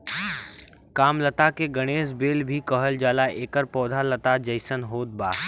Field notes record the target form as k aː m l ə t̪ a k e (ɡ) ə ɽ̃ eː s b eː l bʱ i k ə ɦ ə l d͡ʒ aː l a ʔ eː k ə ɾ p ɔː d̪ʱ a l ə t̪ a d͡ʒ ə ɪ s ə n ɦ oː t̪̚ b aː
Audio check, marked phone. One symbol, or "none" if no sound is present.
ɡ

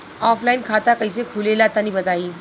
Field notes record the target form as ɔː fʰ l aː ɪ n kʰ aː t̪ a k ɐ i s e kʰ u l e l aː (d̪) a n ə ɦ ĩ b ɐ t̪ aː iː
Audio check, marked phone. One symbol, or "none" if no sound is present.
t̪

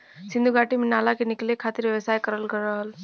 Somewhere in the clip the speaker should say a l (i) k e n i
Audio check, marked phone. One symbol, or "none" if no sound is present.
a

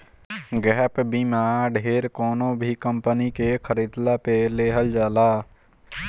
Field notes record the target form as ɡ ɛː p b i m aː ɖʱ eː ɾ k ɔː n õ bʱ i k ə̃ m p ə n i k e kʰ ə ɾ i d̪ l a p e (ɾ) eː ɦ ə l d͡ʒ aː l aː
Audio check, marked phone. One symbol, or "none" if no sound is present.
l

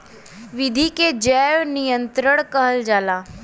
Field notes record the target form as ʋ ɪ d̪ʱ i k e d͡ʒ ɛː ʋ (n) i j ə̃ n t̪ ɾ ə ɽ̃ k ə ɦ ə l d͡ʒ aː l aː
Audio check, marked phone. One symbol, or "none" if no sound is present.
n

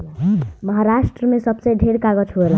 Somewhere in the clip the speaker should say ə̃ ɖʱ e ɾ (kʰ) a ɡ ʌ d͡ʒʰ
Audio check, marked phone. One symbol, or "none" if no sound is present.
k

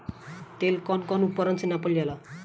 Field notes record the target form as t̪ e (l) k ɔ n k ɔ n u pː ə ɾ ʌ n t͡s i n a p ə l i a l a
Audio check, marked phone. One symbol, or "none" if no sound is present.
l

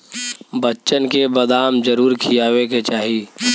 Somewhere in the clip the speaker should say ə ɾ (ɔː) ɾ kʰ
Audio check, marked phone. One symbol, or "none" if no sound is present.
uː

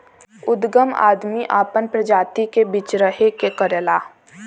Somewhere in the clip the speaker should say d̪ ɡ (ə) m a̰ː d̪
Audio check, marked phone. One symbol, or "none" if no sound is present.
ə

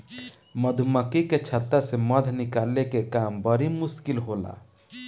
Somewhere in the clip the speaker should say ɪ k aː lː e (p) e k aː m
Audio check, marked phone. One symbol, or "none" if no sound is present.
k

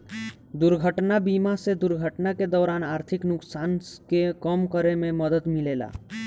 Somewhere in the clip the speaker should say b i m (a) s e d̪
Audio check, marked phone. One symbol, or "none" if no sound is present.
a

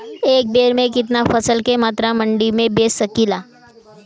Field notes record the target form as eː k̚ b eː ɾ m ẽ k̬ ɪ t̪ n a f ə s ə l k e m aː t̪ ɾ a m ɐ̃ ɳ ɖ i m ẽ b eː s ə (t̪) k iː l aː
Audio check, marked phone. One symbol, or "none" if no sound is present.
none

